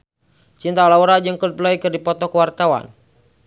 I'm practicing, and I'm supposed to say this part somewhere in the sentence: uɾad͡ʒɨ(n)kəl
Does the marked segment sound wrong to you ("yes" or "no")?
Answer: yes